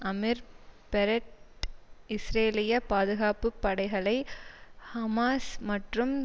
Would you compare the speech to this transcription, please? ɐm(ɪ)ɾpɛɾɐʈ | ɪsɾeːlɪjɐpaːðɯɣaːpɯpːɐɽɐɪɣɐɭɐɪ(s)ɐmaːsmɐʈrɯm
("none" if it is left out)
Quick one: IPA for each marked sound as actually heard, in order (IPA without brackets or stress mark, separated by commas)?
ɪ, h